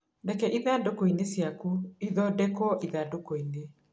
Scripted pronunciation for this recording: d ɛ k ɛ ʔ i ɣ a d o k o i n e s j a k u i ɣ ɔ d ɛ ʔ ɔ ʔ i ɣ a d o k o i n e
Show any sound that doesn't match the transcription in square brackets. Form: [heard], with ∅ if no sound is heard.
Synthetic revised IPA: d ɛ k ɛ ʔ i [ð] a d o k o i n e s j a k u i [ð] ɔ d ɛ [k] ɔ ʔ i [ð] a d o k o i n e

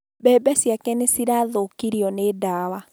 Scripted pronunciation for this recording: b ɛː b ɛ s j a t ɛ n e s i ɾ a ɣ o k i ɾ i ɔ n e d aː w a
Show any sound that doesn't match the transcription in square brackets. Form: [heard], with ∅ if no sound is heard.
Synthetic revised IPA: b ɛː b ɛ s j a [k] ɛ n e s i ɾ a [ð] o k i ɾ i ɔ n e d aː w a

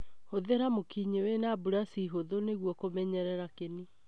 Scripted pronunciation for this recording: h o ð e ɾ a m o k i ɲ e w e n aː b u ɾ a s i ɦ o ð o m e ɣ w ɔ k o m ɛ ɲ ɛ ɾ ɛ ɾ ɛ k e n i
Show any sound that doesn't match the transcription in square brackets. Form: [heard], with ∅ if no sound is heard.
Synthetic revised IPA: h o ð e ɾ a m o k i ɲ e w e n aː b u ɾ a s i ɦ o ð o [n] e ɣ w ɔ k o m ɛ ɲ ɛ ɾ ɛ ɾ [a] k e n i

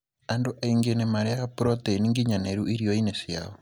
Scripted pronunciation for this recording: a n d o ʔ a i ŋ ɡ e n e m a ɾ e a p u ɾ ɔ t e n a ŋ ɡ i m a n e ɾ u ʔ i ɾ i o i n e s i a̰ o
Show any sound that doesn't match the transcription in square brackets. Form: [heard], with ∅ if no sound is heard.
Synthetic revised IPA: a n d o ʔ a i ŋ ɡ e n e m a ɾ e a p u ɾ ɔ t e n [i] ŋ ɡ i [ɲ] a n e ɾ u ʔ i ɾ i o i n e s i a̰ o

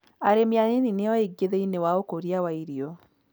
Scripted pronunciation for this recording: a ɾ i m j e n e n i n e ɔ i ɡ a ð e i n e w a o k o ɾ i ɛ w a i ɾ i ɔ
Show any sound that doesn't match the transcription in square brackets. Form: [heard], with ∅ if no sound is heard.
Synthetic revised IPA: a ɾ [e] m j [a] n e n i n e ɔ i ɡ [e] ð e i n e w a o k o ɾ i [a] w a i ɾ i ɔ

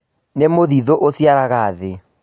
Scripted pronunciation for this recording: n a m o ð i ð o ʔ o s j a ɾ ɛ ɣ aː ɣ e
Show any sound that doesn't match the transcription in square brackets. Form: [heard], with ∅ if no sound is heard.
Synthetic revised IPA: n [e] m o ð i ð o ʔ o s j a ɾ [a] ɣ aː [ð] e

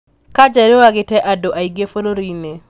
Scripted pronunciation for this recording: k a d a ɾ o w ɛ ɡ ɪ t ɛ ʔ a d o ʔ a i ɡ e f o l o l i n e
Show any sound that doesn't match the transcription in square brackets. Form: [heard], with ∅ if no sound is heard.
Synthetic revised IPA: k a [d͡ʒ] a ɾ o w [a] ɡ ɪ t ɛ ʔ a d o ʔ a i ɡ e f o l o [ɾ] i n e

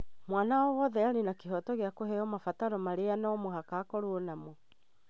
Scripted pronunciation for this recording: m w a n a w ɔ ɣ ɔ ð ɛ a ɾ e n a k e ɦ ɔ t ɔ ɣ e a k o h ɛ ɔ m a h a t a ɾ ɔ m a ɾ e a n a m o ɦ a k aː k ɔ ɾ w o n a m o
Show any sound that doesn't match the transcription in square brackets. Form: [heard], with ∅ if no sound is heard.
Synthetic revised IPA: m w a n a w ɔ [w] ɔ ð ɛ a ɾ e n a k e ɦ ɔ t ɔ ɣ e a k o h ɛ ɔ m a [f] a t a ɾ ɔ m a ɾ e a n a m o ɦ a k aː k ɔ ɾ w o n a m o

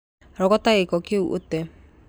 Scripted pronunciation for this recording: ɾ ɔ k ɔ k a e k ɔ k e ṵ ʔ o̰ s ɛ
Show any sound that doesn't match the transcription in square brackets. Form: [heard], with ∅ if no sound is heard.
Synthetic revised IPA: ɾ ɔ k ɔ [t] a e k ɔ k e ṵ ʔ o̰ [t] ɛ

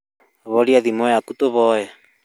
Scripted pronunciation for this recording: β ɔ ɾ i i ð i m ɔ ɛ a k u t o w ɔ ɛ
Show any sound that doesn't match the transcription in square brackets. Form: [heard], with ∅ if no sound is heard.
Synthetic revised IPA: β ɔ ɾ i [a] ð i m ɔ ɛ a k u t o [β] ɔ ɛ

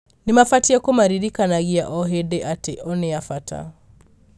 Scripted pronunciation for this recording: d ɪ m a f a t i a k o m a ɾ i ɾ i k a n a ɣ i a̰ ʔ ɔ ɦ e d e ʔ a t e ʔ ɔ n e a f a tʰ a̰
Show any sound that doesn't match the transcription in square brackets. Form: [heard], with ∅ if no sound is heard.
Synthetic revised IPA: [n] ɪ m a f a t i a k o m a ɾ i ɾ i k a n a ɣ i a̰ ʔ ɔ ɦ e d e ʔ a t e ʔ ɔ n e a f a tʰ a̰

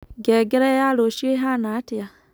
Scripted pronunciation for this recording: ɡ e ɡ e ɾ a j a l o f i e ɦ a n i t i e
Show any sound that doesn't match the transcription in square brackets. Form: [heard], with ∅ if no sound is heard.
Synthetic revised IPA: ɡ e ɡ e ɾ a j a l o [ʃ] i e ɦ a n [a] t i [a]

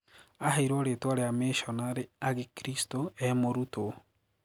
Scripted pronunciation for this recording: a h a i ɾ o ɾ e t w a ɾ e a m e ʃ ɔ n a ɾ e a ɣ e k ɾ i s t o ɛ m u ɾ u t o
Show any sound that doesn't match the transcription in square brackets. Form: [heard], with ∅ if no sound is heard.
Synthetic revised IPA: a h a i ɾ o ɾ e t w a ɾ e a m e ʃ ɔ n a ɾ e a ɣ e k ɾ i s t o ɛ m [o] ɾ u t o

